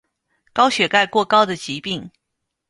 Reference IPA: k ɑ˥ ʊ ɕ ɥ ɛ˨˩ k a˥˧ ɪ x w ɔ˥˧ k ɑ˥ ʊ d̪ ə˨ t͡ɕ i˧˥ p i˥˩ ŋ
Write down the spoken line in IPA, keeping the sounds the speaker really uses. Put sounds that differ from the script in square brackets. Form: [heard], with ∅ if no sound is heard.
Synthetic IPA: k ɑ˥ ʊ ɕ ɥ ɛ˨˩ k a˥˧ ɪ [k] w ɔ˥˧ k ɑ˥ ʊ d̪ ə˨ t͡ɕ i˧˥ p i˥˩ ŋ